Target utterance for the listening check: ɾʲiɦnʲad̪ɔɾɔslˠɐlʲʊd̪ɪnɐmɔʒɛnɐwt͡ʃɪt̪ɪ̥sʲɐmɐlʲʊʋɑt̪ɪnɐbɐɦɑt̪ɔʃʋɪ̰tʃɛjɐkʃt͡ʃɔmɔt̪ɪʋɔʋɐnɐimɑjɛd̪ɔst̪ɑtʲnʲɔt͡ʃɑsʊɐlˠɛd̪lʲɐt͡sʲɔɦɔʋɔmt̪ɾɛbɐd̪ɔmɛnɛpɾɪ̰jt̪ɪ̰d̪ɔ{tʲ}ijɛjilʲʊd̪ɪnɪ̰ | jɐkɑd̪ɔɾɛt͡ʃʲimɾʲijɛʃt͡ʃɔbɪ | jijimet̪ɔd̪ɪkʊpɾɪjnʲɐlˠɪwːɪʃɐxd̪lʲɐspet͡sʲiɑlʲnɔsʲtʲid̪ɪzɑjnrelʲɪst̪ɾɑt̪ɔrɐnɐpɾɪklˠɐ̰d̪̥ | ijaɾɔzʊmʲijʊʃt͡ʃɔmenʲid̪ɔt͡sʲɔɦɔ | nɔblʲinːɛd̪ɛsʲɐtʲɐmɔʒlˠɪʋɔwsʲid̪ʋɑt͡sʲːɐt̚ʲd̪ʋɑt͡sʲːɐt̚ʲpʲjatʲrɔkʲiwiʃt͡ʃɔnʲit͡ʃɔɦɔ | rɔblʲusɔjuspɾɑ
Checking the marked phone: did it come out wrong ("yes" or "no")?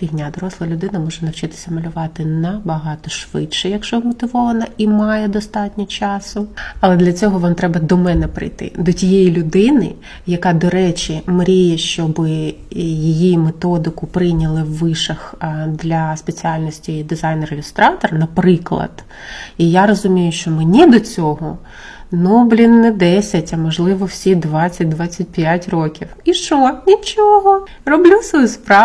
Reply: no